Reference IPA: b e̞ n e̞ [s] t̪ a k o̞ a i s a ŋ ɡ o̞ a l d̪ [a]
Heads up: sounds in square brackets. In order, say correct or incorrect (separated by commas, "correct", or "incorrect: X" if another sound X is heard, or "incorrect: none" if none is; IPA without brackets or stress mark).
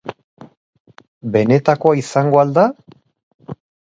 incorrect: none, correct